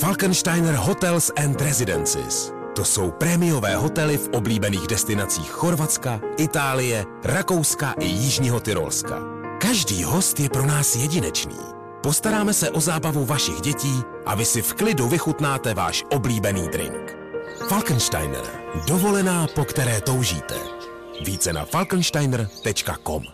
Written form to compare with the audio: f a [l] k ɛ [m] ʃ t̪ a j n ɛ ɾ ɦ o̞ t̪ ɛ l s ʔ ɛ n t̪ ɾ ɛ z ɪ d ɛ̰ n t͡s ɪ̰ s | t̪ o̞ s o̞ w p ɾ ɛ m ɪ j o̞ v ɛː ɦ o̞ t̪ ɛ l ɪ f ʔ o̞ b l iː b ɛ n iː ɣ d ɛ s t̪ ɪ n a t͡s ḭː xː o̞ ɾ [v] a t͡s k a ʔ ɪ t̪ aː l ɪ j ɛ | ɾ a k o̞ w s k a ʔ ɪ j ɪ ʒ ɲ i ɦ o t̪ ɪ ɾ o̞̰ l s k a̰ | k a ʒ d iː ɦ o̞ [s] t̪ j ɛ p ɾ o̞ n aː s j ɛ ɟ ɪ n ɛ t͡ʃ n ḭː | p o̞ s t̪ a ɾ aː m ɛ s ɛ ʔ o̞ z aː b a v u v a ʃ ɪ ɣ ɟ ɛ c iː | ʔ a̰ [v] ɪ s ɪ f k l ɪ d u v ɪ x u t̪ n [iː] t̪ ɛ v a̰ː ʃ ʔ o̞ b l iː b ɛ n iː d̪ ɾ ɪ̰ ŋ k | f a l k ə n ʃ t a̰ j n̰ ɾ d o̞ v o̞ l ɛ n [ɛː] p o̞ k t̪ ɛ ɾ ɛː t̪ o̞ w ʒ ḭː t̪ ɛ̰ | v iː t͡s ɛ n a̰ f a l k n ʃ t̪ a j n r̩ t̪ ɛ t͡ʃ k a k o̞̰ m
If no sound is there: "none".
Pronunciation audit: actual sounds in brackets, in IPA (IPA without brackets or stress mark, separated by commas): l, n, v, s, v, aː, aː